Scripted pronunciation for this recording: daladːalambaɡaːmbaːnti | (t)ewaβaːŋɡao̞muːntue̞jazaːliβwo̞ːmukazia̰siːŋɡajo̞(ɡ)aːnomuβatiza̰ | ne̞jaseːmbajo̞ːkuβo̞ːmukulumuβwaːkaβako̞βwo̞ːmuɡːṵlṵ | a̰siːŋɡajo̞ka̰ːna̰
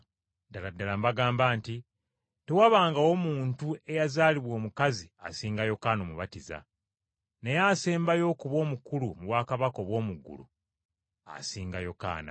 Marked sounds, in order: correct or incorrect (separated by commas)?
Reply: correct, incorrect